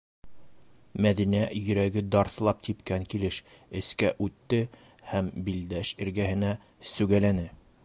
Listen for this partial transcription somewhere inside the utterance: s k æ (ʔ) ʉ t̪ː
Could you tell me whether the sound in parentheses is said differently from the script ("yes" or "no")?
no